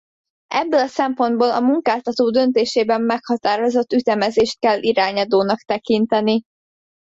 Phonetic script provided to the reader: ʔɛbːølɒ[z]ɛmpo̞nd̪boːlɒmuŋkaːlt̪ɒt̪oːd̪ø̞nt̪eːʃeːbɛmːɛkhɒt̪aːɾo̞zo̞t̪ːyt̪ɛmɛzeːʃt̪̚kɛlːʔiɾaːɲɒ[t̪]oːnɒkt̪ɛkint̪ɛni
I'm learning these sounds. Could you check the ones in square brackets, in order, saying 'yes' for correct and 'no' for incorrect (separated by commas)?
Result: no, no